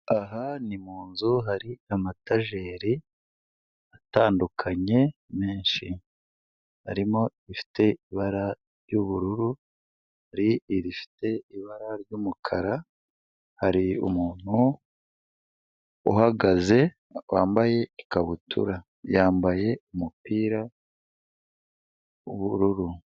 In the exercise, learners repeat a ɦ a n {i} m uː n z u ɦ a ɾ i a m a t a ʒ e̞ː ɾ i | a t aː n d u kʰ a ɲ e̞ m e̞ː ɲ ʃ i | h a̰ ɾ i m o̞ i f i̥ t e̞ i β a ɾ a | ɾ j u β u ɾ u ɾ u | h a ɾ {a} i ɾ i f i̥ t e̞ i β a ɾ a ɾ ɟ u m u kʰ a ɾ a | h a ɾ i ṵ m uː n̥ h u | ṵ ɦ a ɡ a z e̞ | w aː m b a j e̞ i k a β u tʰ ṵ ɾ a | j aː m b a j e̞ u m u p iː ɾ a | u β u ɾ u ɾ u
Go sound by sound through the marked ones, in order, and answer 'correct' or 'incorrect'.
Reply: correct, incorrect: i

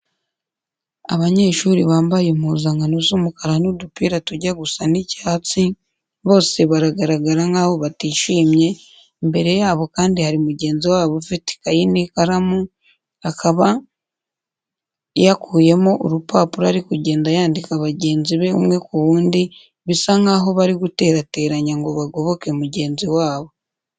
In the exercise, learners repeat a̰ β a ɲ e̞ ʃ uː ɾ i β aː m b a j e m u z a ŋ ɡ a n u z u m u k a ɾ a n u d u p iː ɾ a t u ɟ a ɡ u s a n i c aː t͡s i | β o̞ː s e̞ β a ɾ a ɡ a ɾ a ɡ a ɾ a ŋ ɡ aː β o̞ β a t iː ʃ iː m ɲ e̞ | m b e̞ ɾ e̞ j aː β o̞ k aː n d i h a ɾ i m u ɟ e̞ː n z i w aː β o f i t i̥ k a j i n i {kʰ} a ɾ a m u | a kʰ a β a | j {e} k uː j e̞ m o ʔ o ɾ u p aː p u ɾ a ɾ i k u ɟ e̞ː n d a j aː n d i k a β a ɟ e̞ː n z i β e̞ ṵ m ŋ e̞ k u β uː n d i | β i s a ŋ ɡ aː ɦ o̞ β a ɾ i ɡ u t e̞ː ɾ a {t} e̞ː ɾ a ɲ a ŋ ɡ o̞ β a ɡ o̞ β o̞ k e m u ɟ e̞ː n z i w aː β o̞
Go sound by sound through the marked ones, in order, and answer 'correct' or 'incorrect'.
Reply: incorrect: k, incorrect: a, correct

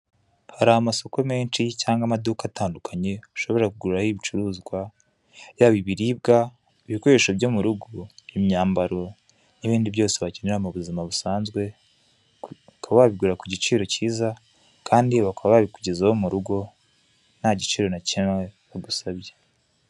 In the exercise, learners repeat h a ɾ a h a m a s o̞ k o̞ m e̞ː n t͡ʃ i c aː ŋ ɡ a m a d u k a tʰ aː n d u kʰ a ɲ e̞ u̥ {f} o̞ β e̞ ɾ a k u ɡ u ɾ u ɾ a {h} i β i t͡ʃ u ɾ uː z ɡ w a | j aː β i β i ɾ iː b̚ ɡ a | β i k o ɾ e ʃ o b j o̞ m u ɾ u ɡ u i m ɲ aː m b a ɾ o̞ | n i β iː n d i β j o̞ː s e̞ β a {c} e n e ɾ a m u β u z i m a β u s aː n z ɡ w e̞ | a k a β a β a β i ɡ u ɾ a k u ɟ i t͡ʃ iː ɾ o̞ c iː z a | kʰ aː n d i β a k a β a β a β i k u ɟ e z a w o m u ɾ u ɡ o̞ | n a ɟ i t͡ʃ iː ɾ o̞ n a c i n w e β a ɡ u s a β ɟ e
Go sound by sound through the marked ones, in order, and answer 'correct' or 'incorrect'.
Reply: incorrect: ʃ, correct, correct

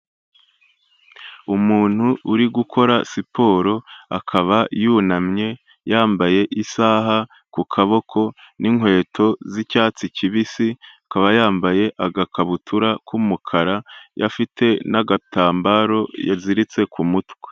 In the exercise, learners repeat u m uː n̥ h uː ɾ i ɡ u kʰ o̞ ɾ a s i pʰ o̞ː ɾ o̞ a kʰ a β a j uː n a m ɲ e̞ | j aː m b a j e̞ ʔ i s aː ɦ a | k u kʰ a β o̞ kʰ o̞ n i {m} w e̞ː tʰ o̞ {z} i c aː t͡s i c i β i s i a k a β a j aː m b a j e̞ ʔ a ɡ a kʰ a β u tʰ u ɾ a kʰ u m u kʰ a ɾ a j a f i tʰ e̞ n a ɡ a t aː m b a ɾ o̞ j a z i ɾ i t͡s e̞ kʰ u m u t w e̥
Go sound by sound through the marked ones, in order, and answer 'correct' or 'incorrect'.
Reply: incorrect: ŋ, correct

